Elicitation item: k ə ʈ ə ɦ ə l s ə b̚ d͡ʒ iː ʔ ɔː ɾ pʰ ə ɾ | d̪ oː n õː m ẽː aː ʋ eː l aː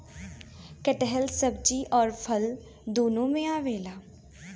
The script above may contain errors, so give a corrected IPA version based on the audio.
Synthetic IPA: k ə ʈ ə ɦ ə l s ə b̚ d͡ʒ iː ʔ ɔː ɾ pʰ ə l | d̪ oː n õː m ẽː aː ʋ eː l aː